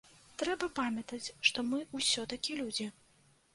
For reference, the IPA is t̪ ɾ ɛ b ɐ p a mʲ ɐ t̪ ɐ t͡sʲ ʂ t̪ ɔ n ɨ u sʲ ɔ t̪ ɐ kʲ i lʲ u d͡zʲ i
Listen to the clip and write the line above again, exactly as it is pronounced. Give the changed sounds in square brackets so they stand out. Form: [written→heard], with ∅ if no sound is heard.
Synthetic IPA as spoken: t̪ ɾ ɛ b ɐ p a mʲ ɐ t̪ ɐ t͡sʲ ʂ t̪ ɔ [n→m] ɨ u sʲ ɔ t̪ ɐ kʲ i lʲ u d͡zʲ i